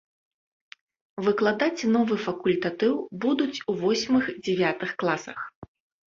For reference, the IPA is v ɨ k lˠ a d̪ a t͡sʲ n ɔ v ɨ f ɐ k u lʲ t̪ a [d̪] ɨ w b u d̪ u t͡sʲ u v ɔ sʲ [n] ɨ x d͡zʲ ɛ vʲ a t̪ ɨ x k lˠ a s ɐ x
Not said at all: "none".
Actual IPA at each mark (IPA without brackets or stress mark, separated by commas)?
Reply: t̪, m